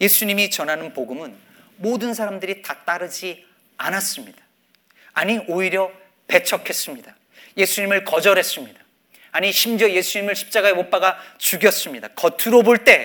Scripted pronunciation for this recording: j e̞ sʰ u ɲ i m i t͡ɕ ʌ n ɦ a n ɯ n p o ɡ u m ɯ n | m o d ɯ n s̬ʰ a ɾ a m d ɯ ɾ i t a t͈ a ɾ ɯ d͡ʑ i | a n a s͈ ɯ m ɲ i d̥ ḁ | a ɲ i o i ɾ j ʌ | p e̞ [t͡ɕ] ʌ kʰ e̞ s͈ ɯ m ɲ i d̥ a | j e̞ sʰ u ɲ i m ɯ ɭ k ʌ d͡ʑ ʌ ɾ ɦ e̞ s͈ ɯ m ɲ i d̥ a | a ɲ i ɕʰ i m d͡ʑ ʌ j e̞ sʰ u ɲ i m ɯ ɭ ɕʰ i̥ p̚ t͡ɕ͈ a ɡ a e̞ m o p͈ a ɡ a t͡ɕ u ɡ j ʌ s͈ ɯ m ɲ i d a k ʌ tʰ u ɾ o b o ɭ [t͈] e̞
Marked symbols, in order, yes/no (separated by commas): no, yes